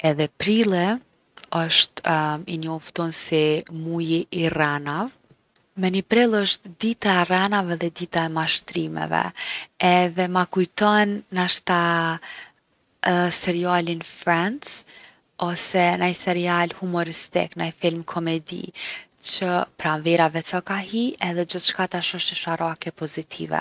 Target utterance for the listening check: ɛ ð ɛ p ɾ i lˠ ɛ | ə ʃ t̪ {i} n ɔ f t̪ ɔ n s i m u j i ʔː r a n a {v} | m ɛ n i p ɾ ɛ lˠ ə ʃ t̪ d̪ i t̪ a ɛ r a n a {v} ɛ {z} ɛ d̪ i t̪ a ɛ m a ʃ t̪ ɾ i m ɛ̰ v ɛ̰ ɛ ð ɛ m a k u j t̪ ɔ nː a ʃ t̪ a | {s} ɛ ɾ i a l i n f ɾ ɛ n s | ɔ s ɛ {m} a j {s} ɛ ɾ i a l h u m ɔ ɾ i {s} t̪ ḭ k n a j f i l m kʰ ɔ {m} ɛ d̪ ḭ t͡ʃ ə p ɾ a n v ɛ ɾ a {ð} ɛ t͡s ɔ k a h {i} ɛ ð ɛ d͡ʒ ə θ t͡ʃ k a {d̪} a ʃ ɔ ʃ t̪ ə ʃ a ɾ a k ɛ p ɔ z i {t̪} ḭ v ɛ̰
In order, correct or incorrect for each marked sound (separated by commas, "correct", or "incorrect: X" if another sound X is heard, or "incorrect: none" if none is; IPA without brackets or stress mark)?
correct, correct, correct, incorrect: ð, correct, incorrect: n, correct, correct, correct, incorrect: v, correct, incorrect: t̪, incorrect: t̪ʰ